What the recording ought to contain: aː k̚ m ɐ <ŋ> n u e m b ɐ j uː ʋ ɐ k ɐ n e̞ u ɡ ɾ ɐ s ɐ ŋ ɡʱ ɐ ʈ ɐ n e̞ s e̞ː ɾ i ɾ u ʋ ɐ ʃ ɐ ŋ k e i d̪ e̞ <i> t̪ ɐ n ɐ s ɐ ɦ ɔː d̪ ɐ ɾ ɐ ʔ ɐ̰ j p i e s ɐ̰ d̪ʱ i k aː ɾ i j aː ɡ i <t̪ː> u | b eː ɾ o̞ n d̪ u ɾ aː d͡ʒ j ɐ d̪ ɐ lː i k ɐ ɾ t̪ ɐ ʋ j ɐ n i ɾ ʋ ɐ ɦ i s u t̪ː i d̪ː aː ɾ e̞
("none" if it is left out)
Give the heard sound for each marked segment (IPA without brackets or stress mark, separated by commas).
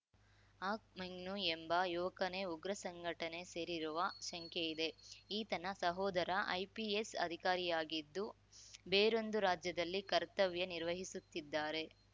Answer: ŋ, iː, d̪ː